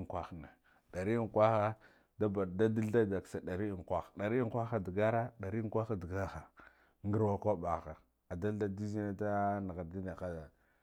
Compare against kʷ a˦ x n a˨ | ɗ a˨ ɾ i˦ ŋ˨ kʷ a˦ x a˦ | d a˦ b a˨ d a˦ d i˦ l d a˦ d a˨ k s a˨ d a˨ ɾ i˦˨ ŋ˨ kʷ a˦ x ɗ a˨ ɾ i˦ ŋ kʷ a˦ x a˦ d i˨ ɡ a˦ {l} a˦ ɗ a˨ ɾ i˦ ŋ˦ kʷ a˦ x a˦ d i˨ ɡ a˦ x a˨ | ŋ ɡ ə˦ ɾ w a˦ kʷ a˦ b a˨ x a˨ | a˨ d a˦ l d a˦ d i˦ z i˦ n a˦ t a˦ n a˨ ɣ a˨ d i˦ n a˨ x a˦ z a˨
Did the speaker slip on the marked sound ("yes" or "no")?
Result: yes